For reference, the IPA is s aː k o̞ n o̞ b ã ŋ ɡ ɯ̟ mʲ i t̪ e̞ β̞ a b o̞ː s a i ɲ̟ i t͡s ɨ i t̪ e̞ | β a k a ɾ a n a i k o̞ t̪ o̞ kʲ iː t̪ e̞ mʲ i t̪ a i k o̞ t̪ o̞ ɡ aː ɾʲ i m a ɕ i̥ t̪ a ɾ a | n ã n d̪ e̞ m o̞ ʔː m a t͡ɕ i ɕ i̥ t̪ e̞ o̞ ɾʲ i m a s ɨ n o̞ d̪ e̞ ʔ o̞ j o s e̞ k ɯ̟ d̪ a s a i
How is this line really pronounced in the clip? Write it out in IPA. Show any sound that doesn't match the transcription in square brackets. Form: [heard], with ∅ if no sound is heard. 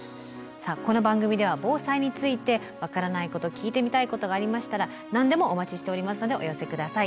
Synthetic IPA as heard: s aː k o̞ n o̞ b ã ŋ ɡ ɯ̟ mʲ i [d̪] e̞ β̞ a b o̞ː s a i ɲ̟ i t͡s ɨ i t̪ e̞ | β a k a ɾ a n a i k o̞ t̪ o̞ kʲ iː t̪ e̞ mʲ i t̪ a i k o̞ t̪ o̞ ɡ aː ɾʲ i m a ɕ i̥ t̪ a ɾ a | n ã n d̪ e̞ m o̞ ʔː m a t͡ɕ i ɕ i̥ t̪ e̞ o̞ ɾʲ i m a s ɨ n o̞ d̪ e̞ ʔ o̞ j o s e̞ k ɯ̟ d̪ a s a i